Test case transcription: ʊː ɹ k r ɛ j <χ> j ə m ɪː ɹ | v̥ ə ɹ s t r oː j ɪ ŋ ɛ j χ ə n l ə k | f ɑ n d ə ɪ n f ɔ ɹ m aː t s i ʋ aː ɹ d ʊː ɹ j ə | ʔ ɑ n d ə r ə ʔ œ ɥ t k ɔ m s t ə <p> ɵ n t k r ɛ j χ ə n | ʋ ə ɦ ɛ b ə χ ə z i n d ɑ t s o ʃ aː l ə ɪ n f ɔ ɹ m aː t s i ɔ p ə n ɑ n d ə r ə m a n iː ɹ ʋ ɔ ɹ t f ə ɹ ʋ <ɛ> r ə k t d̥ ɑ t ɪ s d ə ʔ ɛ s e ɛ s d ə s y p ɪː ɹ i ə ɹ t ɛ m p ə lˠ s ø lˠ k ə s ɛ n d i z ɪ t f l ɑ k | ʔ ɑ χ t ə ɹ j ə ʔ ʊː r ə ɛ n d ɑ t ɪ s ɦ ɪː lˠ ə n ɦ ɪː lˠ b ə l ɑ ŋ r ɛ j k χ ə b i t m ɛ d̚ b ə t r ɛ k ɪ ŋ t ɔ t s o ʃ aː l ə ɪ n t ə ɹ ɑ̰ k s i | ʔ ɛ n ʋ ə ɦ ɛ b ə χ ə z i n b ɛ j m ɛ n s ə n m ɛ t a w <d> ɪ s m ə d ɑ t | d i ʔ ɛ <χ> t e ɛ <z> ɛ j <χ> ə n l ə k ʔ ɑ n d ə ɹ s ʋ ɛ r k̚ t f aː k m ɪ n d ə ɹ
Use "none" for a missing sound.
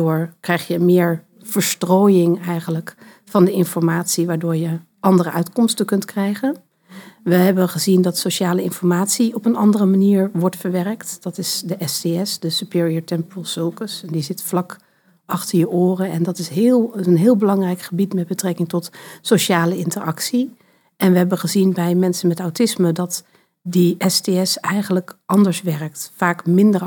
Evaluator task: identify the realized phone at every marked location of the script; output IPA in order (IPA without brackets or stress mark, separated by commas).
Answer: χ, k, ɛ, t, s, s, χ